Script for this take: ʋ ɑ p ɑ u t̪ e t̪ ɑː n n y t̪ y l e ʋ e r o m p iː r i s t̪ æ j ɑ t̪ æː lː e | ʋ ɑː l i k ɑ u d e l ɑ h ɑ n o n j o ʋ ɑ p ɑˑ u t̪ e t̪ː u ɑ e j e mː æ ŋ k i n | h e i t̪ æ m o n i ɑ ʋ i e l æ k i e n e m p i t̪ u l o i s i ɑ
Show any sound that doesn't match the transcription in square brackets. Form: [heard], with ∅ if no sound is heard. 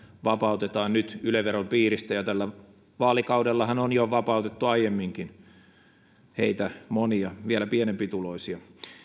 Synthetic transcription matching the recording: ʋ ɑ p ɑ u t̪ e t̪ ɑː n n y t̪ y l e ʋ e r o m p iː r i s t̪ æ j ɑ t̪ [æ] lː [æ] | ʋ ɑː l i k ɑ u d e [lː] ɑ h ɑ n o n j o ʋ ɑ p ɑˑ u t̪ e t̪ː u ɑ [i] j e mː [i] ŋ k i n | h e i t̪ æ m o n i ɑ ʋ i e l æ [p] i e n e m p i t̪ u l o i s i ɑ